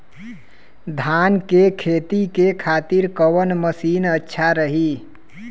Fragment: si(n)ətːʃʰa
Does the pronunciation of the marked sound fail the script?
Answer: no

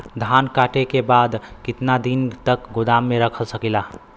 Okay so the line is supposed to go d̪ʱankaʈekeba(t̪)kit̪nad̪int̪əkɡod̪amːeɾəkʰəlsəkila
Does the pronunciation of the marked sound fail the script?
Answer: yes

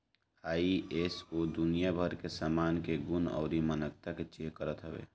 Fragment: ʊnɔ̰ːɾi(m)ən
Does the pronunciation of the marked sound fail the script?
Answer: no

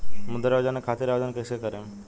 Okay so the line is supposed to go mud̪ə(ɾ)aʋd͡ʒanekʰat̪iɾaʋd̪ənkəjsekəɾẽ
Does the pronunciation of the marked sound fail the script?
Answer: no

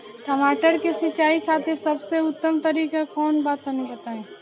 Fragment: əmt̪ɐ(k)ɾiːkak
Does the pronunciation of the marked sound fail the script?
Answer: yes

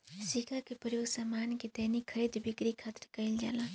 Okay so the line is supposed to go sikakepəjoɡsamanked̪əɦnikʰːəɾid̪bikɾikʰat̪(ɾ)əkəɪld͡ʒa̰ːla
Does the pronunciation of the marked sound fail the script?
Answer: no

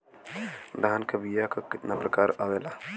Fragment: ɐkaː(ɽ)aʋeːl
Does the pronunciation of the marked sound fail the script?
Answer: yes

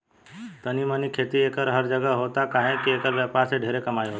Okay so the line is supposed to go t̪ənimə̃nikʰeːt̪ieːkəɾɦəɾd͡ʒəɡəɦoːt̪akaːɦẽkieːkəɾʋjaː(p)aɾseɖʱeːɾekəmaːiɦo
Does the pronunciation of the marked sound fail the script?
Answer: no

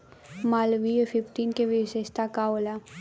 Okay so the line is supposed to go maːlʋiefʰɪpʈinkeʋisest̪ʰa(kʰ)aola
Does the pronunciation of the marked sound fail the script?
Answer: yes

